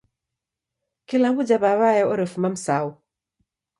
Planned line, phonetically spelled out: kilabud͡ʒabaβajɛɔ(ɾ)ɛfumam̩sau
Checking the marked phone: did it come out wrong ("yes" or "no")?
no